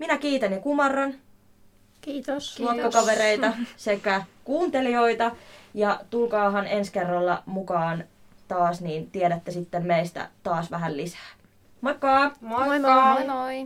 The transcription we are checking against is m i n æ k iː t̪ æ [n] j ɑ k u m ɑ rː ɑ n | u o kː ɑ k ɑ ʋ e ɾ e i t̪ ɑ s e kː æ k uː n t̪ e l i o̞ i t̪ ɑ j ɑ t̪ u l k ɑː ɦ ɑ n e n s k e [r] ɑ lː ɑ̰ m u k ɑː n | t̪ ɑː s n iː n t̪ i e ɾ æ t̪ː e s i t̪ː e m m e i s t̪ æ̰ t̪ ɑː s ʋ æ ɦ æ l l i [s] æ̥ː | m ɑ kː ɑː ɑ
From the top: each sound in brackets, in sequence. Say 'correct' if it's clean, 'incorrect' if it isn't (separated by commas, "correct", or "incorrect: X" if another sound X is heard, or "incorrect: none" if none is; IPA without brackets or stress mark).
correct, incorrect: rː, correct